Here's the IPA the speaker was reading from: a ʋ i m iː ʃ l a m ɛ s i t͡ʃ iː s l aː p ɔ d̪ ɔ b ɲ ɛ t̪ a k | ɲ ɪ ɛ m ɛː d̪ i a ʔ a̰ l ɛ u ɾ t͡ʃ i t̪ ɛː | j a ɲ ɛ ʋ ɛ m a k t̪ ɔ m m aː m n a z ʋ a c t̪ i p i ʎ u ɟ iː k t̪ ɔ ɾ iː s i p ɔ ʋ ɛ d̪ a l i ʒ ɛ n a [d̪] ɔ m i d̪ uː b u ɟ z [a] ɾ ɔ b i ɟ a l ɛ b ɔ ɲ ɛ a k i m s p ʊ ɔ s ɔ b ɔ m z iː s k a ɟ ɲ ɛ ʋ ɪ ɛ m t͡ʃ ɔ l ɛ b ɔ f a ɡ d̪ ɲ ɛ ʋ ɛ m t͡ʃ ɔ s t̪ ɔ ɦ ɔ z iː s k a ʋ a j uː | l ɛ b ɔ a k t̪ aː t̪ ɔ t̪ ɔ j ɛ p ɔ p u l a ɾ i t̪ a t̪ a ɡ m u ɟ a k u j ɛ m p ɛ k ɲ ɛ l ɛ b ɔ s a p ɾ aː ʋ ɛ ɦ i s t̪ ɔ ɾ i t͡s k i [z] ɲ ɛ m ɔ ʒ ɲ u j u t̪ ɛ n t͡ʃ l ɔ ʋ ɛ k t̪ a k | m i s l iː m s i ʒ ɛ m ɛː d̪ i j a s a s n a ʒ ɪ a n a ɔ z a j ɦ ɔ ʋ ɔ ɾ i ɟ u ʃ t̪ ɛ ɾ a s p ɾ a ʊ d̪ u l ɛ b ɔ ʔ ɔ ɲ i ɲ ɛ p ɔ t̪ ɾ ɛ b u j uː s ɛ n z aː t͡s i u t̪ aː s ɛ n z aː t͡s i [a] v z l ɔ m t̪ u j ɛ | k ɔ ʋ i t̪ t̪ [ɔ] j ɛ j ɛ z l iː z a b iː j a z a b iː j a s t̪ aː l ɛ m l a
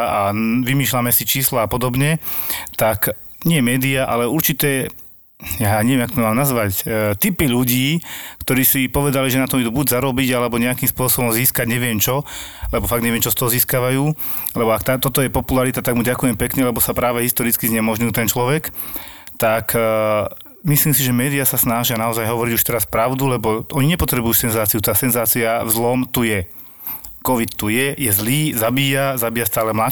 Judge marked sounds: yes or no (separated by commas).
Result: no, yes, yes, yes, no